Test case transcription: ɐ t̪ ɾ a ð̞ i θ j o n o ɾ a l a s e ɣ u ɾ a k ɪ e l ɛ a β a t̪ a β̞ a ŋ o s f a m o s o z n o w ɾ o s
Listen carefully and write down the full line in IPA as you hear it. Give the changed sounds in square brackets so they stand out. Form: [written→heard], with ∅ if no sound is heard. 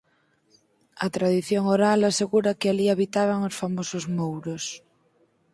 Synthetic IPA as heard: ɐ t̪ ɾ a ð̞ i θ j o [n→ŋ] o ɾ a l a s e ɣ u ɾ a k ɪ [e→a] l [ɛ→i] a β [a→i] t̪ a β̞ a ŋ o s f a m o s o z [n→m] o w ɾ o s